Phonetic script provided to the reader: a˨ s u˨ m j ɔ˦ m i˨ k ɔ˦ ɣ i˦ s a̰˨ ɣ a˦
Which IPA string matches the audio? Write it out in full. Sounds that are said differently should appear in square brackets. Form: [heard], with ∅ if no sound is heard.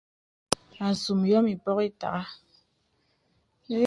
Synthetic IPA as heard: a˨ s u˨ m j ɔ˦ m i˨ [p] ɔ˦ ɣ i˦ [t] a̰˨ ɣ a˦